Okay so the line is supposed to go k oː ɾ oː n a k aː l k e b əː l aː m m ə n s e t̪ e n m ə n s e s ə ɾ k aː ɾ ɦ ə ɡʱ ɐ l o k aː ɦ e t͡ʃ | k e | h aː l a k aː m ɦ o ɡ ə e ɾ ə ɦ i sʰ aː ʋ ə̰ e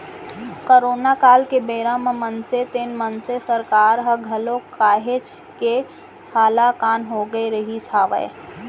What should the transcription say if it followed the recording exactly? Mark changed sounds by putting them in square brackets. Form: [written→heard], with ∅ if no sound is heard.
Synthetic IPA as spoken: k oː ɾ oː n a k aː l k e b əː [l→ɾ] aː m m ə n s e t̪ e n m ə n s e s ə ɾ k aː ɾ ɦ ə ɡʱ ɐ l o k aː ɦ e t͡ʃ | k e | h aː l a k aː [m→n] ɦ o ɡ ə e ɾ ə ɦ i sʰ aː ʋ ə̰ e